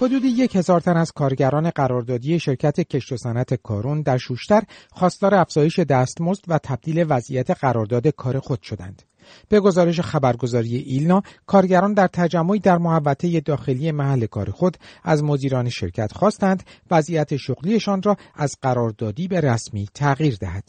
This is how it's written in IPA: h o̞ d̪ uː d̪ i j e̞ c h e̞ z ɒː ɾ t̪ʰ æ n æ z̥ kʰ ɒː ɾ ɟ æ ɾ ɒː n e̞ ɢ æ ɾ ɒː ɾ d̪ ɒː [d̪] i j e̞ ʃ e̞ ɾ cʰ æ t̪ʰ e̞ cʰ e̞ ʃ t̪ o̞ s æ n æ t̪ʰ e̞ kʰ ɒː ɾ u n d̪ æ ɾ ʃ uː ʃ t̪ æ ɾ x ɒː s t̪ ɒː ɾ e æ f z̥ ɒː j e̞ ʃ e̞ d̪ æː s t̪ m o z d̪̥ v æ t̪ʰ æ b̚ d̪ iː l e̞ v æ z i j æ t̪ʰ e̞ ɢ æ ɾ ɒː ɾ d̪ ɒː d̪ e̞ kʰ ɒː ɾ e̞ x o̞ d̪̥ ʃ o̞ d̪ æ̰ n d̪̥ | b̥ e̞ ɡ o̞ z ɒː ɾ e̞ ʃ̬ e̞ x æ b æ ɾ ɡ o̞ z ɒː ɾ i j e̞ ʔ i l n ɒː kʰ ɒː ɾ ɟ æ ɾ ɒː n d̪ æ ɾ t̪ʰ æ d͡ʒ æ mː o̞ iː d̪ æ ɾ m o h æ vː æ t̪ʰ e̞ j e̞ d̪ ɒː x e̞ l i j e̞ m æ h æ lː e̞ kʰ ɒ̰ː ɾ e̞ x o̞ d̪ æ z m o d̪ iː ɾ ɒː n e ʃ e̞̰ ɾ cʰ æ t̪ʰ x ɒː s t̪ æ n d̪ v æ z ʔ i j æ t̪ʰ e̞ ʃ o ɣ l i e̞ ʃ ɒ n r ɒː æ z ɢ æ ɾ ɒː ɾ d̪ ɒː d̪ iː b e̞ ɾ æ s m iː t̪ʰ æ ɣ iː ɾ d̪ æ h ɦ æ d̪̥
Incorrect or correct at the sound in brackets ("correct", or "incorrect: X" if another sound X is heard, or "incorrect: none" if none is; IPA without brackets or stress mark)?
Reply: correct